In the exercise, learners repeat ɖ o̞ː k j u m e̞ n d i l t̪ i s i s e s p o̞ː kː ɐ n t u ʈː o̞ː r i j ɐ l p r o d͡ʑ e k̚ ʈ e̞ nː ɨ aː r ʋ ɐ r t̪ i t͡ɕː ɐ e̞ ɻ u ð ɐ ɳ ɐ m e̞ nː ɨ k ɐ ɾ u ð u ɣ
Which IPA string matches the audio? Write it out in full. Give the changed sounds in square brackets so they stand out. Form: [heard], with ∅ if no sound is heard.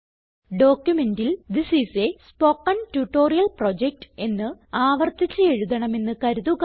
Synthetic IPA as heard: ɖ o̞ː k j u m e̞ n d i l [d̪] i s i s e s p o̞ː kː ɐ n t u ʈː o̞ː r i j ɐ l p r o d͡ʑ e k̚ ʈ e̞ nː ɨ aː [∅] ʋ ɐ r t̪ i t͡ɕː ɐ e̞ ɻ u ð ɐ ɳ ɐ m e̞ nː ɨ k ɐ ɾ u ð u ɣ